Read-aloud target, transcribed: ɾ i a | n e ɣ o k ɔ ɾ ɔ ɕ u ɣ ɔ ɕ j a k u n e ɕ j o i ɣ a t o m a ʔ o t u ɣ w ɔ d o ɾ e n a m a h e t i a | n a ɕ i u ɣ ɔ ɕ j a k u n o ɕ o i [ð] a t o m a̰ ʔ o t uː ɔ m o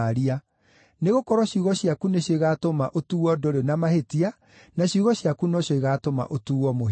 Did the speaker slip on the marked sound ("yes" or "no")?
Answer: yes